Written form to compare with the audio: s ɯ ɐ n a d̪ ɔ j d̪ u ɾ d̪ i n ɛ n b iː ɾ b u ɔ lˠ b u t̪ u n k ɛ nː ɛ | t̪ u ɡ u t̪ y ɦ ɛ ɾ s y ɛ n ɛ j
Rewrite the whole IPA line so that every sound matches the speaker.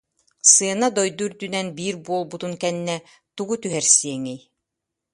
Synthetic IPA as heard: s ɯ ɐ n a d̪ ɔ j d̪ u ɾ d̪ y n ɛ n b iː ɾ b u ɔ lˠ b u t̪ u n k ɛ nː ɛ | t̪ u ɡ u t̪ y ɦ ɛ ɾ s i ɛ ŋ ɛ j